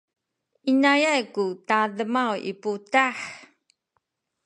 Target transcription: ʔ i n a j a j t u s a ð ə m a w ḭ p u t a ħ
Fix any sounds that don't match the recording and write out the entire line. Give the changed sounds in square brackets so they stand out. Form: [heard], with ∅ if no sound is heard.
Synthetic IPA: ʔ i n a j a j [k] u [t] a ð ə m a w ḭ p u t a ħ